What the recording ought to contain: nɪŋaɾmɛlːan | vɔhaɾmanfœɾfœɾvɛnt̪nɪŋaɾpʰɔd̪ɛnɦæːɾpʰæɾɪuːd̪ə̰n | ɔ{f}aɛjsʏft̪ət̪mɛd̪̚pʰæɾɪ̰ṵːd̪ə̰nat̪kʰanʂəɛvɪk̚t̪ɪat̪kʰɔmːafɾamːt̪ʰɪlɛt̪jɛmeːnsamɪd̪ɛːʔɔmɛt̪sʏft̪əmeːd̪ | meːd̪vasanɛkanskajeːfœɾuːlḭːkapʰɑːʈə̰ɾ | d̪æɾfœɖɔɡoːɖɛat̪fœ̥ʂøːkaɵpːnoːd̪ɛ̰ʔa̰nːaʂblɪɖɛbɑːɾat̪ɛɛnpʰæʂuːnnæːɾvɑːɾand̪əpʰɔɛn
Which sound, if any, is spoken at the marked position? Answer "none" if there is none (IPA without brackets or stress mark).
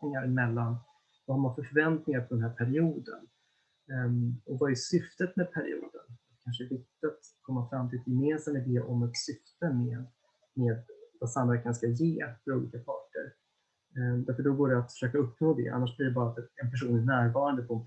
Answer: v